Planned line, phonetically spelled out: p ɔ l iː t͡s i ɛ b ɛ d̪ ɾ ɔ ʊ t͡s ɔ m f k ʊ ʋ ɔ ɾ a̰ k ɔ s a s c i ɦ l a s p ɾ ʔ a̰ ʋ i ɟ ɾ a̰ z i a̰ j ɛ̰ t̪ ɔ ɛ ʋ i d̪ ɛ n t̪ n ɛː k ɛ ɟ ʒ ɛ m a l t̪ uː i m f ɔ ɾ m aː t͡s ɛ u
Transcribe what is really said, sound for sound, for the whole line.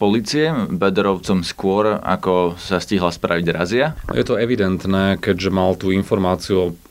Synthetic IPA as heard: p ɔ l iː t͡s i ɛ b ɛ d̪ ɾ ɔ ʊ t͡s ɔ m s k ʊ ɔ ɾ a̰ k ɔ s a s c i ɦ l a s p ɾ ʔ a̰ ʋ i ɟ ɾ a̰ z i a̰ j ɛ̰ t̪ ɔ ɛ ʋ i d̪ ɛ n t̪ n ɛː k ɛ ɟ ʒ ɛ m a l t̪ uː i n f ɔ ɾ m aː t͡s i u